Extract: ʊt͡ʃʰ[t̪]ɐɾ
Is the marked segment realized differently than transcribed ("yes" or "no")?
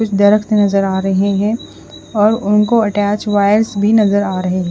yes